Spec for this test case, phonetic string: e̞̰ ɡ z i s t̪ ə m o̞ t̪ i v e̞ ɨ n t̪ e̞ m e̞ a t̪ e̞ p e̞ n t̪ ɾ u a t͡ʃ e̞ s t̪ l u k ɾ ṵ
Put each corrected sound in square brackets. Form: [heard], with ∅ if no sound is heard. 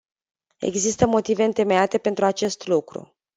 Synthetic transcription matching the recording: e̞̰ ɡ z i s t̪ ə m o̞ t̪ i v e̞ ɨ n t̪ e̞ m e̞ a t̪ e̞ p e̞ n t̪ ɾ u a t͡ʃ e̞ s t̪ l u k ɾ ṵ